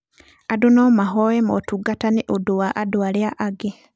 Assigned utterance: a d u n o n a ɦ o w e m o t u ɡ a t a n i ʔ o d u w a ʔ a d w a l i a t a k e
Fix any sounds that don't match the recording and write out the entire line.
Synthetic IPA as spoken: a d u n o m a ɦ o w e m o t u ɡ a t a n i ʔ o d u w a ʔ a d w a l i a ʔ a ɡ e